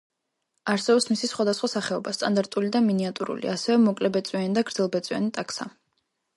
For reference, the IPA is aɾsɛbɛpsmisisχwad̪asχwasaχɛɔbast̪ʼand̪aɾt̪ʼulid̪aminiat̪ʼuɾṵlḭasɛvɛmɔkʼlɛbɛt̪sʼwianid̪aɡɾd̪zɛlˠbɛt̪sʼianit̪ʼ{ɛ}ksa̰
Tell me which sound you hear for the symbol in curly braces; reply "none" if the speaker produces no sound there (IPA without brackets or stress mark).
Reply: a